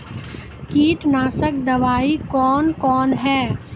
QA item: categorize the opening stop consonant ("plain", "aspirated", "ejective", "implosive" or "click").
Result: plain